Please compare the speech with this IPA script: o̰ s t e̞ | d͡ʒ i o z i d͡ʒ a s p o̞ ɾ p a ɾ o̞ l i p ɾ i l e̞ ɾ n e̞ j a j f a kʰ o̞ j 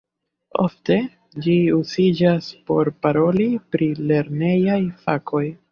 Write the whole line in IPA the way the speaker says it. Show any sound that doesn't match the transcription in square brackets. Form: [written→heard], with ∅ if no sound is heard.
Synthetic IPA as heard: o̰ [s→f] t e̞ | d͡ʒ i [o→u] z i d͡ʒ a s p o̞ ɾ p a ɾ o̞ l i p ɾ i l e̞ ɾ n e̞ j a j f a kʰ o̞ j